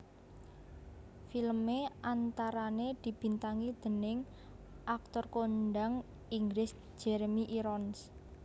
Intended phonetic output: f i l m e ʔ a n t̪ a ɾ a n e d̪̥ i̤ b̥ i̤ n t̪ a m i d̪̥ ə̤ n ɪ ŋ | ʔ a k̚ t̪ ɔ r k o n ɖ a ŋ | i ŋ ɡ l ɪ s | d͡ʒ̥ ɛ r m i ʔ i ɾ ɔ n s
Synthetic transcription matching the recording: f i l m e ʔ a n t̪ a ɾ a n e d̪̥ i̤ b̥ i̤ n t̪ a ŋ i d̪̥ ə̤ n ɪ ŋ | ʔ a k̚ t̪ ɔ r k o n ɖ a ŋ | i ŋ ɡ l ɪ s | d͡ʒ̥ ɛ ɾ m i ʔ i ɾ ɔ n s